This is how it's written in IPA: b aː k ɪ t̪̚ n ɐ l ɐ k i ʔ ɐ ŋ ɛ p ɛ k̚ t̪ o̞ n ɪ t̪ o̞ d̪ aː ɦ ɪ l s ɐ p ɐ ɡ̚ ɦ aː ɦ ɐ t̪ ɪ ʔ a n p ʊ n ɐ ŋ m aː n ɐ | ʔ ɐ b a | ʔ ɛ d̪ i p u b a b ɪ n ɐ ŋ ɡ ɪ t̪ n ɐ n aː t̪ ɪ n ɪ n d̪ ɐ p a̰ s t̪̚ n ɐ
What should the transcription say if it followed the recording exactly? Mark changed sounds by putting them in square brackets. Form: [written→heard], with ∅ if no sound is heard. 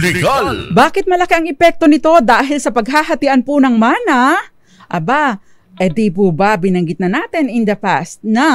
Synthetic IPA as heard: b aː k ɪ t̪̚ [n→m] ɐ l ɐ k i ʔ ɐ ŋ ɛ p ɛ k̚ t̪ o̞ n ɪ t̪ o̞ d̪ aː ɦ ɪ l s ɐ p ɐ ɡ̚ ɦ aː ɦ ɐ t̪ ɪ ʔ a n p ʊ n ɐ ŋ m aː n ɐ | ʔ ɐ b a | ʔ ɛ d̪ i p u b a b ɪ n ɐ ŋ ɡ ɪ t̪ n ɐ n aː t̪ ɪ n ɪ n d̪ ɐ p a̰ s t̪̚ n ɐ